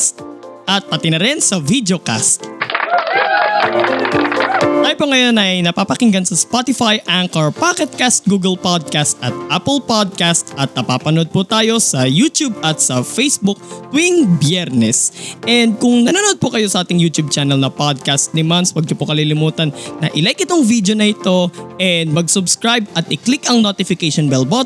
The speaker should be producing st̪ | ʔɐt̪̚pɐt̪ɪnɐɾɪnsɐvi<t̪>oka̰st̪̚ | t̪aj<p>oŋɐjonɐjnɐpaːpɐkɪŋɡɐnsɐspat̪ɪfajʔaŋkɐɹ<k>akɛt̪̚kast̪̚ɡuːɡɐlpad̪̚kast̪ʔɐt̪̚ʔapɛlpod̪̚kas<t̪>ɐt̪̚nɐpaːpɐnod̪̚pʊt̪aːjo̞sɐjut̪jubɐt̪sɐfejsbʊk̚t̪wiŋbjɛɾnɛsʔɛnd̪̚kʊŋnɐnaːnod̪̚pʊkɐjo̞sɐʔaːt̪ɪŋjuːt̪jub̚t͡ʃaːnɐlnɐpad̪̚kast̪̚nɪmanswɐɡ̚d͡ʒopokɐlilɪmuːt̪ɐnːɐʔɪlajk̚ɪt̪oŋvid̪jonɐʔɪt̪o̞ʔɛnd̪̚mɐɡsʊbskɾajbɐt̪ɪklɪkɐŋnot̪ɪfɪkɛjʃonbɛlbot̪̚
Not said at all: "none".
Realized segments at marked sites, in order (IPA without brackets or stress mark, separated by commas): d̪, p, p, t̪